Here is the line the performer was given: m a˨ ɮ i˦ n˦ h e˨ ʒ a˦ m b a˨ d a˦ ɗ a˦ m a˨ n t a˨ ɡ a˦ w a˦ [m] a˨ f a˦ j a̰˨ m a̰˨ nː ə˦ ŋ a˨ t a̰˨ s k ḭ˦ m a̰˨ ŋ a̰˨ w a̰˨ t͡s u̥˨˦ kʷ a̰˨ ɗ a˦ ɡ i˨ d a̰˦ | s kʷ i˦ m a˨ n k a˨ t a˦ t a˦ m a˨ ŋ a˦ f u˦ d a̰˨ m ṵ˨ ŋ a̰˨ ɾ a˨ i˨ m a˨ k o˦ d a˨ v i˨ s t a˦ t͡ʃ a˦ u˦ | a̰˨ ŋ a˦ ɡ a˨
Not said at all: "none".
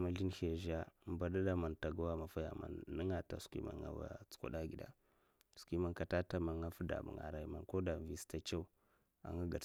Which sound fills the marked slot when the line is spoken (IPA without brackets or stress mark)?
m